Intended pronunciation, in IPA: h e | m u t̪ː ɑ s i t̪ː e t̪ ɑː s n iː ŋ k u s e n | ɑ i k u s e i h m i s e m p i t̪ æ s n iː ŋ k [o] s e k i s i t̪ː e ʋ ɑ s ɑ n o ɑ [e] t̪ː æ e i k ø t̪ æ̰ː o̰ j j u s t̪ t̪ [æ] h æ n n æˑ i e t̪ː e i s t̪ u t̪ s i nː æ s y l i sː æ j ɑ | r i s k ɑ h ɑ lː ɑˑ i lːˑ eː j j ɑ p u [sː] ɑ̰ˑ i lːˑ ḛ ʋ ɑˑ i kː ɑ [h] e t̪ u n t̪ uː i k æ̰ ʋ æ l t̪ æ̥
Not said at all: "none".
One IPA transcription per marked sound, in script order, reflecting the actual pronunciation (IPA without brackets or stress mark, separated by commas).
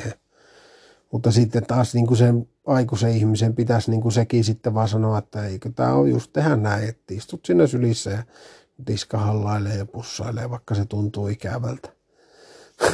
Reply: u, e, e, sː, s